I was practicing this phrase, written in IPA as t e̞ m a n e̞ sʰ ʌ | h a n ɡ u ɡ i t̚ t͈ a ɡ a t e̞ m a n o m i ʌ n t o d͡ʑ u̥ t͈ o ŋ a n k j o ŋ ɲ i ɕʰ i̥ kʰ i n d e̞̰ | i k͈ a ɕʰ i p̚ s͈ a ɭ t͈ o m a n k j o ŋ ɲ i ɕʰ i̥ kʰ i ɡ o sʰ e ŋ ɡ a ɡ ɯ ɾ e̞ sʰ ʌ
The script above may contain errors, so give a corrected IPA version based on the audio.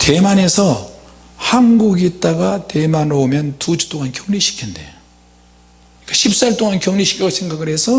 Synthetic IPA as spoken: t e̞ m a n e̞ sʰ ʌ | h a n ɡ u ɡ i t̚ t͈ a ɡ a t e̞ m a n o m j ʌ n t u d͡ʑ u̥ t͈ o ŋ a n k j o ŋ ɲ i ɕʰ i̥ kʰ i n d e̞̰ | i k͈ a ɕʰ i p̚ s͈ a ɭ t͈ o ŋ a n k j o ŋ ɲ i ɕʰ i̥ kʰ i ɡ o sʰ e ŋ ɡ a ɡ ɯ ɾ e̞ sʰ ʌ

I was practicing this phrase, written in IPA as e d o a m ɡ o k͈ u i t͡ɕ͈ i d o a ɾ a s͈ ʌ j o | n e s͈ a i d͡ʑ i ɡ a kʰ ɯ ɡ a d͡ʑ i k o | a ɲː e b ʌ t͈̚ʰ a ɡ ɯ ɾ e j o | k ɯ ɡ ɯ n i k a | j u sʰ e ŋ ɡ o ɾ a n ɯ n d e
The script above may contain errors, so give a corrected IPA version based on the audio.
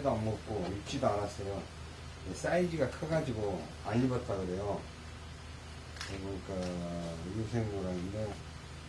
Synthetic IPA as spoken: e d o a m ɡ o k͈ o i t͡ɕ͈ i d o a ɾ a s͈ ʌ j o | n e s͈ a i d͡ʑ i ɡ a kʰ ɯ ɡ a d͡ʑ i ɡ o | a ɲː i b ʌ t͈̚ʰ a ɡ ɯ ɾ e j o | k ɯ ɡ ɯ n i k a | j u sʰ e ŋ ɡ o ɾ a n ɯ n d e

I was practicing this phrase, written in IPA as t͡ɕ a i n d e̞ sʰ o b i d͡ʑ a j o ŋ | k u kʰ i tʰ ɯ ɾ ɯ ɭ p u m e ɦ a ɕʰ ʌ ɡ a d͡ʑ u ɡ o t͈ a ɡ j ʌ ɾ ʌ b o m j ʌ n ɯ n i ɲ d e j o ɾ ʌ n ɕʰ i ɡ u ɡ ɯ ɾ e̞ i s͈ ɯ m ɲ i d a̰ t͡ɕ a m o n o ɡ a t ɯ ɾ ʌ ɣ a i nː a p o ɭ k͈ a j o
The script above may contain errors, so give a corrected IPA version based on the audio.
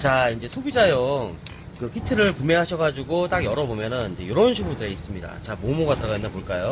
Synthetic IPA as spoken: t͡ɕ a i n d͡ʑ e̞ sʰ o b i d͡ʑ a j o ŋ | k ɯ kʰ i tʰ ɯ ɾ ɯ ɭ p u m e ɦ a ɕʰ ʌ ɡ a d͡ʑ u ɡ o t͈ a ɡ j ʌ ɾ ʌ b o m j ʌ n ɯ n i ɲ d͡ʑ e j o ɾ ʌ n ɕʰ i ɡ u d ɯ ɾ e̞ i s͈ ɯ m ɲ i d a̰ t͡ɕ a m o m o ɡ a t ɯ ɾ ʌ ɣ a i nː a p o ɭ k͈ a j o

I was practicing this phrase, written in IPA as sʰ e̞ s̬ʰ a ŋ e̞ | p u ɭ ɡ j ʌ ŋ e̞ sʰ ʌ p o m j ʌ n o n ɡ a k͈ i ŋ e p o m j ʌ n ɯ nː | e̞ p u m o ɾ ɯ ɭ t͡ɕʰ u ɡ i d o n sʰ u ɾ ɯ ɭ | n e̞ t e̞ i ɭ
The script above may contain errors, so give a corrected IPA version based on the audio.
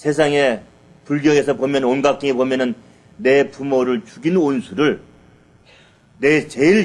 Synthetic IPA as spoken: sʰ e̞ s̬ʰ a ŋ e̞ | p u ɭ ɡ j ʌ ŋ e̞ sʰ ʌ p o m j ʌ n o n ɡ a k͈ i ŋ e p o m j ʌ n ɯ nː | e̞ p u m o ɾ ɯ ɭ t͡ɕ u ɡ i n o n sʰ u ɾ ɯ ɭ | n e̞ t͡ɕ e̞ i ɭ

